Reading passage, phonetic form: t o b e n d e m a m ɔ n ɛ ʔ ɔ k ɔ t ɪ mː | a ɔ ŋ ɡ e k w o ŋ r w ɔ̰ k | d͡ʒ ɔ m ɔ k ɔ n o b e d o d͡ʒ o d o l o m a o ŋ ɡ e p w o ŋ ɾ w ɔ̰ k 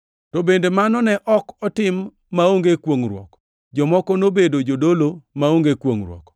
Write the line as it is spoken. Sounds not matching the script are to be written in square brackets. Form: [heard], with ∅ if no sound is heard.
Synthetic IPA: t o b e n d e m a [n] ɔ n ɛ ʔ ɔ k ɔ t ɪ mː | a [o] ŋ ɡ e k w o ŋ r w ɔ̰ k | d͡ʒ ɔ m ɔ k ɔ n o b e d o d͡ʒ o d o l o m a o ŋ ɡ e [k] w o ŋ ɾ w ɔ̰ k